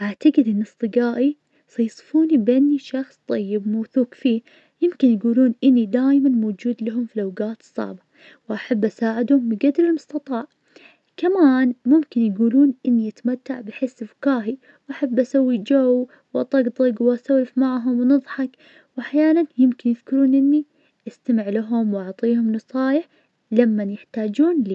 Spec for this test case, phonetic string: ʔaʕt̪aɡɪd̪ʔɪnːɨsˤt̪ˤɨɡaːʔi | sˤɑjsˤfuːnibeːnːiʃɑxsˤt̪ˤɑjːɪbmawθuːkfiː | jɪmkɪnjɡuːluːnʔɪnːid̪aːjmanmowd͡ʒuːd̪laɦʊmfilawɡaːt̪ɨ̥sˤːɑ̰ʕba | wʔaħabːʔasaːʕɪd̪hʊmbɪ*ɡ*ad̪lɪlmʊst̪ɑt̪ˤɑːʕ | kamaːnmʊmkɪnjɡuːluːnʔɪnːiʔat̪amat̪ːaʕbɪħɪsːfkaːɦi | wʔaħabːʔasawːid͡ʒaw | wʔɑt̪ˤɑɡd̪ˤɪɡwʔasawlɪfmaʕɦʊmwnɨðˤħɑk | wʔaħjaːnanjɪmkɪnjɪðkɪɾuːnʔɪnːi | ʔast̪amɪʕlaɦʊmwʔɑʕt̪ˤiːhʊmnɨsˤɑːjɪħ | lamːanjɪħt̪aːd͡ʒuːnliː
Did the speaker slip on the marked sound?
no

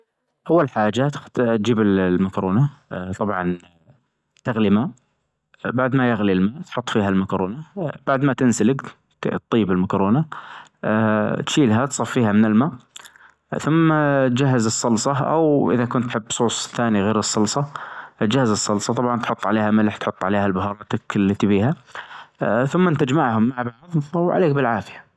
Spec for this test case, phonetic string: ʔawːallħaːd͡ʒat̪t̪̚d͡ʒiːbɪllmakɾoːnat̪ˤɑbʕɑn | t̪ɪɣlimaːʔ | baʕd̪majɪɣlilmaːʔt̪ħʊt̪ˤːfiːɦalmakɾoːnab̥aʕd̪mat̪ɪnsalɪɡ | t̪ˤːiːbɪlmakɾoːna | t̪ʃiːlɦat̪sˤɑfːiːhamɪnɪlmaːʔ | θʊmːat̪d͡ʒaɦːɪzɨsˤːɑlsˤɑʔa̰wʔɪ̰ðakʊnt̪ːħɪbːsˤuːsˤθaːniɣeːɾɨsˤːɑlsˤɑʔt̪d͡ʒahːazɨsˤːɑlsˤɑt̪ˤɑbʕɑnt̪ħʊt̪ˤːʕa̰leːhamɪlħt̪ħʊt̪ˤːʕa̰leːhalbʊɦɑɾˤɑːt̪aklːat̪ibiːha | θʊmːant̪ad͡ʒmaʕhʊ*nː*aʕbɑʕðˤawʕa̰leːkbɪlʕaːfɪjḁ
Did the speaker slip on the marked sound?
yes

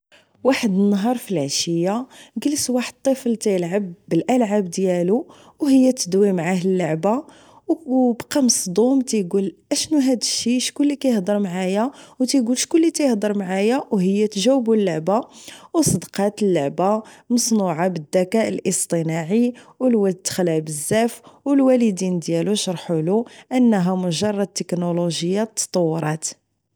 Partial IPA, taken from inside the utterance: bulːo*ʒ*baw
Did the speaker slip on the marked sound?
yes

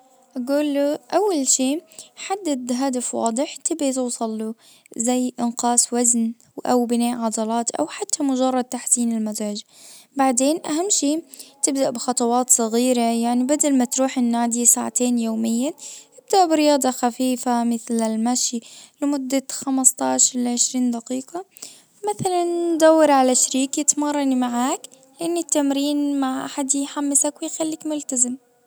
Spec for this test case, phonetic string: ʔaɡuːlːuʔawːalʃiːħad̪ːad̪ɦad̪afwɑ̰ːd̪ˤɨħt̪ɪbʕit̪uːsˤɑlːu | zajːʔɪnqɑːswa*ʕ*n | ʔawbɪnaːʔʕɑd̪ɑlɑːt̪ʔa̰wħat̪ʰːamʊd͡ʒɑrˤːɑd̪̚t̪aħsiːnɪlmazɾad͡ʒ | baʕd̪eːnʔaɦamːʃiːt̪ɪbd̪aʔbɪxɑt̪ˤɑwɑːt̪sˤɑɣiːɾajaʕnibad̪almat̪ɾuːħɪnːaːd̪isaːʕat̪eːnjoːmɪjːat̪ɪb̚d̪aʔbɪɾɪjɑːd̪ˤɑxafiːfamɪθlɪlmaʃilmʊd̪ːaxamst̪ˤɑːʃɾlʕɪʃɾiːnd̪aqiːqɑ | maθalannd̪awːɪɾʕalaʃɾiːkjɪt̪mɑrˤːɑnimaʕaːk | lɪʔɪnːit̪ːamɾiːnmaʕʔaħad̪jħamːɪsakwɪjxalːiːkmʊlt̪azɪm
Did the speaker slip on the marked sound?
yes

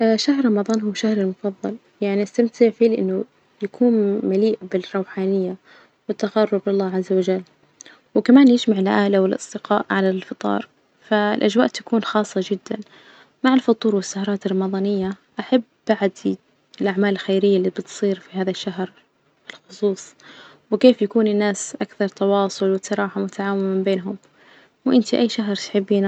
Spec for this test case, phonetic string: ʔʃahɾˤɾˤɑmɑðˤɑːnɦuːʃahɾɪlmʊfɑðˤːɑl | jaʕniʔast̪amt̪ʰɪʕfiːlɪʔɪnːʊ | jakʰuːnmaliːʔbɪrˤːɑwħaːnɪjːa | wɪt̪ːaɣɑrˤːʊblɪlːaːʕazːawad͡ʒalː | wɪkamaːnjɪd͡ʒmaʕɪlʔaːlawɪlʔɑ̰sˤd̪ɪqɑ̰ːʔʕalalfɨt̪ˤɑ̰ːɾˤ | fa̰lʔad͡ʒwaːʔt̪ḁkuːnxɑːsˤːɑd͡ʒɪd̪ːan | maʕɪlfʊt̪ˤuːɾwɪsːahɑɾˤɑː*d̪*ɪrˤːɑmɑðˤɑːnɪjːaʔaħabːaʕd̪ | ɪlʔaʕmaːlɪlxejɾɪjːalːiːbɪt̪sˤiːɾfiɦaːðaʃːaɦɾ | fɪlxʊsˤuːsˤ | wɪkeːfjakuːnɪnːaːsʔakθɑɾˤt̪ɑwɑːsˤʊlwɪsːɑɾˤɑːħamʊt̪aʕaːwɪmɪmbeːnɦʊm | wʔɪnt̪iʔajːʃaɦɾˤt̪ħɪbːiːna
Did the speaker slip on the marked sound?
yes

